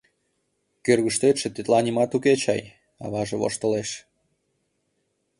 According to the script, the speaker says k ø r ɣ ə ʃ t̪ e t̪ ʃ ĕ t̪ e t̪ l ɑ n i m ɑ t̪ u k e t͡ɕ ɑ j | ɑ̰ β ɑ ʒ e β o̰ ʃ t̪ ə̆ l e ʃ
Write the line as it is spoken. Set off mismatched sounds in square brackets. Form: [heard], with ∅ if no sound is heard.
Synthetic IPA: k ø r ɣ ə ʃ t̪ e t̪ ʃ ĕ t̪ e t̪ l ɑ n i m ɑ t̪ u k e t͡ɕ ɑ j | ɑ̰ β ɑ ʒ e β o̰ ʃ t̪ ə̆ l e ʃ